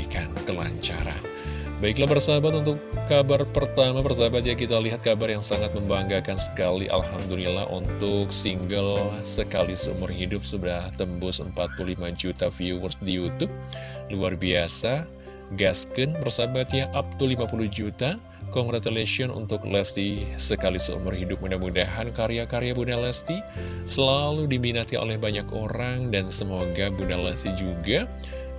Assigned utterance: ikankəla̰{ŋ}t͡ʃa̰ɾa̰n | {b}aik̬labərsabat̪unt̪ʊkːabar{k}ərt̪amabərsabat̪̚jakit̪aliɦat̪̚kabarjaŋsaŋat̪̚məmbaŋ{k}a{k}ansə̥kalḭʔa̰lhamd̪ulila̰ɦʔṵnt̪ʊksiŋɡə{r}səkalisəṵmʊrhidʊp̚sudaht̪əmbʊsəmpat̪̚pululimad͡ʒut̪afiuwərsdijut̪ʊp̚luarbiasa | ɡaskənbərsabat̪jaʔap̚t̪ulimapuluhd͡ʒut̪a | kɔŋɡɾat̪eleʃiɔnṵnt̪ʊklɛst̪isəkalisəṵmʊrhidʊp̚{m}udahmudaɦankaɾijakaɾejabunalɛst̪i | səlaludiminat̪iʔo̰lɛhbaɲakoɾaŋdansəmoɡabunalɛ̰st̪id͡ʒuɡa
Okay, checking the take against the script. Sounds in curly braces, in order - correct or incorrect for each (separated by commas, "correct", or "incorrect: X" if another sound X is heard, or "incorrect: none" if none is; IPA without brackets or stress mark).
incorrect: ɲ, correct, incorrect: p, incorrect: ɡ, correct, incorrect: l, correct